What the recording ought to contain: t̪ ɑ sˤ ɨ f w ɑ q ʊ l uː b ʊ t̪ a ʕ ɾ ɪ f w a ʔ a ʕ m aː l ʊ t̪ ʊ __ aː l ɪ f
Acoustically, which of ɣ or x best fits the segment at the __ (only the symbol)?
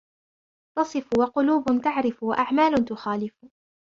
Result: x